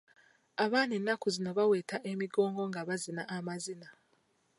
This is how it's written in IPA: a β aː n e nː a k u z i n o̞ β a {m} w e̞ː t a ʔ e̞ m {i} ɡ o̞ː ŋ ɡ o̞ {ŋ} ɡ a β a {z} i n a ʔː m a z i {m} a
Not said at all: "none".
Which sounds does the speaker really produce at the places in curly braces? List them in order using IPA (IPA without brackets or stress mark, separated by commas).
none, i, ŋ, z, n